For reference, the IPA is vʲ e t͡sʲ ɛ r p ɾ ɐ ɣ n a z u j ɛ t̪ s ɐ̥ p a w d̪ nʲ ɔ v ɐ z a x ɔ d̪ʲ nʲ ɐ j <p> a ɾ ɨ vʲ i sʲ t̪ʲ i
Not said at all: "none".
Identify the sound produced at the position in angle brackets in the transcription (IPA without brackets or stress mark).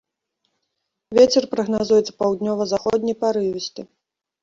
p